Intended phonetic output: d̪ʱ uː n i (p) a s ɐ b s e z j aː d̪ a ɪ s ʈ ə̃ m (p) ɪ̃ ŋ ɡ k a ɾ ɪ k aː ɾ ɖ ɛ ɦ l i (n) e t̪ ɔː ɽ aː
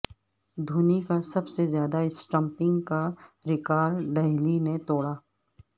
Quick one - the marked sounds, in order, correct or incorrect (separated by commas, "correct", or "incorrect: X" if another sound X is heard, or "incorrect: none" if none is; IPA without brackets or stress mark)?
incorrect: k, correct, correct